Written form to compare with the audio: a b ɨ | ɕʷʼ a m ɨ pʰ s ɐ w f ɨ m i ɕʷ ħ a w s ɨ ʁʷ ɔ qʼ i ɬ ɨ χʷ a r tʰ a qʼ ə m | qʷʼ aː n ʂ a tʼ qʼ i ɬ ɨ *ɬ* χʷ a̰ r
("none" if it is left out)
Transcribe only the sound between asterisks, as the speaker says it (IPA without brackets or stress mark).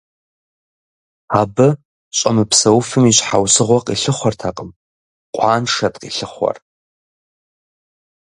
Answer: none